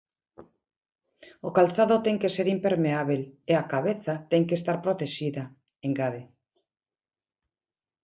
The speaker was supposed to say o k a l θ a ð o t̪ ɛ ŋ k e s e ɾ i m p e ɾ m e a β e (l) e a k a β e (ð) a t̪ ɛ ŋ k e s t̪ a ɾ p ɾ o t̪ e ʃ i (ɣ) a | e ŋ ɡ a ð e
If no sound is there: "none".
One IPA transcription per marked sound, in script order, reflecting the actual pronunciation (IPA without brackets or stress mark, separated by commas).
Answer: l, θ, ð